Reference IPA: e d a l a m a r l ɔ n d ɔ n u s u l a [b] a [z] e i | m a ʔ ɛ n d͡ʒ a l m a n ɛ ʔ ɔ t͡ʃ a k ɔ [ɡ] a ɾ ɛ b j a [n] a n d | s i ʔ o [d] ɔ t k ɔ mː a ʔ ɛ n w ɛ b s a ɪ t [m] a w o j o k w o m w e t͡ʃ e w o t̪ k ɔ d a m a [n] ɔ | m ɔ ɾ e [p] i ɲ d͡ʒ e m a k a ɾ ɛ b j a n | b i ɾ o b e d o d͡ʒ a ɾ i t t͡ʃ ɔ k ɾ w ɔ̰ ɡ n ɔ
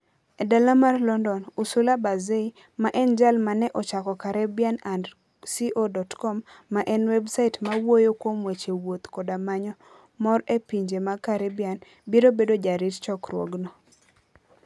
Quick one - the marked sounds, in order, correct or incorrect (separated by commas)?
correct, correct, incorrect, correct, correct, correct, incorrect, correct